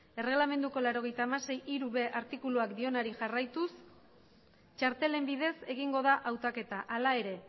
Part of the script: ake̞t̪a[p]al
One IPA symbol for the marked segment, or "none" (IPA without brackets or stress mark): ʔ